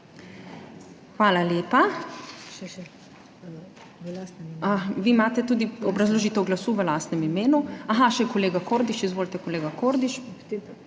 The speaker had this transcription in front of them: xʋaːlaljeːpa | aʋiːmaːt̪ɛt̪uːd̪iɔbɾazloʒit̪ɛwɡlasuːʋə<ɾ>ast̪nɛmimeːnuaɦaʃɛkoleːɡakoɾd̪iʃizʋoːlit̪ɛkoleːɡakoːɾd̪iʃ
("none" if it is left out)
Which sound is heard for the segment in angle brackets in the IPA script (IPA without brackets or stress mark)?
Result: l